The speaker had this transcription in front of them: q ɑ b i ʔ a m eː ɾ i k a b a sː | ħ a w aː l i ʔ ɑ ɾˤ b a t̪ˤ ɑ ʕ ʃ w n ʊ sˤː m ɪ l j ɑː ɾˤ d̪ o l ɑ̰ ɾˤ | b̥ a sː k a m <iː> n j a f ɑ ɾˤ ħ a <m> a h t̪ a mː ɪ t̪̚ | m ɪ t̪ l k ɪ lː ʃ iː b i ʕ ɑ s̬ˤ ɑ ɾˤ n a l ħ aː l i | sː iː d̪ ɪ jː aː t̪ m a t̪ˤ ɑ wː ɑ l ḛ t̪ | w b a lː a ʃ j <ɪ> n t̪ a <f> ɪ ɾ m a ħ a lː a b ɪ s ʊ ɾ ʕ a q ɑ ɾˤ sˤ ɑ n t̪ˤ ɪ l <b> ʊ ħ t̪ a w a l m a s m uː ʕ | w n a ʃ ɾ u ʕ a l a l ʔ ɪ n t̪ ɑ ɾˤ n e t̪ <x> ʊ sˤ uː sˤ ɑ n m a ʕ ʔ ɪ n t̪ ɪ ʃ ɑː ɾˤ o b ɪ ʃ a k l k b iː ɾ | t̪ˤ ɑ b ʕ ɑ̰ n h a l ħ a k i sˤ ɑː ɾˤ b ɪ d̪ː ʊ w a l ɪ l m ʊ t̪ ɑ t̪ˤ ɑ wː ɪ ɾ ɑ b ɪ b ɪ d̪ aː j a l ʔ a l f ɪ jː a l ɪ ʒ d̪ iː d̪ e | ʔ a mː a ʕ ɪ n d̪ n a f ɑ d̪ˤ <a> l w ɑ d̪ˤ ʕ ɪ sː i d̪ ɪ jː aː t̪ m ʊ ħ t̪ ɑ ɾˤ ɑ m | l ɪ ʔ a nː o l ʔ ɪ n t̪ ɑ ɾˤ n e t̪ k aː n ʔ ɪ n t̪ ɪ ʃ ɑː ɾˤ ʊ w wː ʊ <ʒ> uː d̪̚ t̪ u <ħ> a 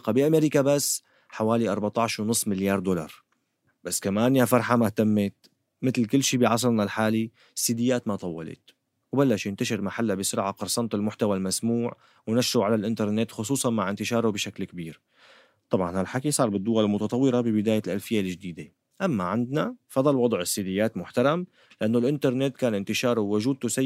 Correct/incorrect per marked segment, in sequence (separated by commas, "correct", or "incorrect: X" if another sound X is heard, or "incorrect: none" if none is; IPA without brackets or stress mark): incorrect: aː, correct, correct, incorrect: ʃ, incorrect: m, correct, incorrect: ɑ, correct, incorrect: s